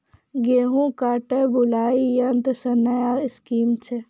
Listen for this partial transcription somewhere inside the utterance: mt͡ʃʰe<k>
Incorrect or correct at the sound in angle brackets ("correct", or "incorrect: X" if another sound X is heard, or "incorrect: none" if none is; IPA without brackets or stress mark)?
incorrect: none